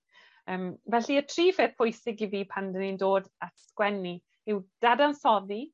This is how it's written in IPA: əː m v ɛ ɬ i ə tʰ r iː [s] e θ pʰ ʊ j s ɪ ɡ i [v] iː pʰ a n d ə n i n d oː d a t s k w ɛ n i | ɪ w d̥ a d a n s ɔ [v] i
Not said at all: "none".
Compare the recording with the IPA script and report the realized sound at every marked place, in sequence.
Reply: f, v, ð

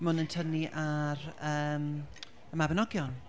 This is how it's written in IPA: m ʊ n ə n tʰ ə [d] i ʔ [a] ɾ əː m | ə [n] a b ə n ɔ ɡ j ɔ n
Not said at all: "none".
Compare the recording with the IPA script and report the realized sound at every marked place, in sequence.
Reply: n, a, m

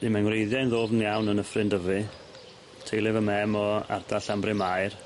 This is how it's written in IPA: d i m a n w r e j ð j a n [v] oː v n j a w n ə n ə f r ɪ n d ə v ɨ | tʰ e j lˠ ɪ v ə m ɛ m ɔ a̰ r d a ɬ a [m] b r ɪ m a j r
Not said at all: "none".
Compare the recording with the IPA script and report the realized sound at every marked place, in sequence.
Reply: ð, m

